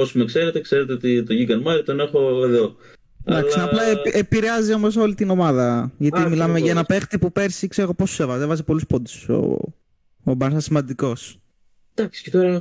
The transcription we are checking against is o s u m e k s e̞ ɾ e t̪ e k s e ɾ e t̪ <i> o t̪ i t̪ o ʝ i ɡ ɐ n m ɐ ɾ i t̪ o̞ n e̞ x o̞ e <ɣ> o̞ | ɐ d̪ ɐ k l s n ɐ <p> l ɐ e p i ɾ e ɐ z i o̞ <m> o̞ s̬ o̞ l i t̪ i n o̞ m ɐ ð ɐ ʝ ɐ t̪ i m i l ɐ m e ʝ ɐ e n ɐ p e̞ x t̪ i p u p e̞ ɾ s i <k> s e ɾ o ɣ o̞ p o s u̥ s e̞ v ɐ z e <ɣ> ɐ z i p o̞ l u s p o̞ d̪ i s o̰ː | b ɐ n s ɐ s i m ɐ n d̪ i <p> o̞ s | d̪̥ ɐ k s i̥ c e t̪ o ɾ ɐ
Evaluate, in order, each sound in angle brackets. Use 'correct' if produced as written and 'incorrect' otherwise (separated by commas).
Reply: incorrect, incorrect, correct, correct, correct, incorrect, incorrect